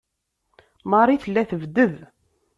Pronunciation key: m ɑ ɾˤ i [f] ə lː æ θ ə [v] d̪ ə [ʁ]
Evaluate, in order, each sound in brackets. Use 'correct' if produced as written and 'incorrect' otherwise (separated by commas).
incorrect, correct, incorrect